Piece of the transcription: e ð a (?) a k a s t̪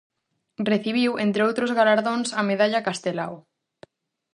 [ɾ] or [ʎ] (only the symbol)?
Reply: ʎ